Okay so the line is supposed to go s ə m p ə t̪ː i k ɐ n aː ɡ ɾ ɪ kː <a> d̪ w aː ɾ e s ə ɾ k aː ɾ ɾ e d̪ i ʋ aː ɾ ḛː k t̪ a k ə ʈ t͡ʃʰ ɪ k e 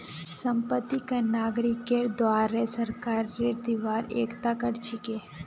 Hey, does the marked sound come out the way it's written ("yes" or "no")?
no